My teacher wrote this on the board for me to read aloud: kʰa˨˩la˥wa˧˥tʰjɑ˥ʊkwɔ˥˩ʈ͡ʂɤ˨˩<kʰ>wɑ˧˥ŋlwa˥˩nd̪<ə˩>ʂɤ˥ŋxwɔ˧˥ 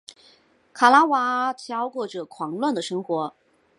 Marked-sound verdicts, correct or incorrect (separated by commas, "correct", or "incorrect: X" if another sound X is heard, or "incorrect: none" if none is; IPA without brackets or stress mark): correct, correct